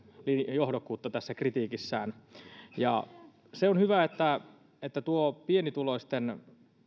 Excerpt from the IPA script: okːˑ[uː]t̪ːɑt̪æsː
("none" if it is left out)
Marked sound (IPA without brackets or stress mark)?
uː